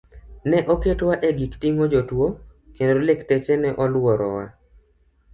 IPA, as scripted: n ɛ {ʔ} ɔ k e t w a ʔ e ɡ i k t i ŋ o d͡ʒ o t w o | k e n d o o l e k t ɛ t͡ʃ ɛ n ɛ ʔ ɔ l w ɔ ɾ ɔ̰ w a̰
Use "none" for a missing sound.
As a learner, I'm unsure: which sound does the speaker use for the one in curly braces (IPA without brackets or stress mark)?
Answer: ʔ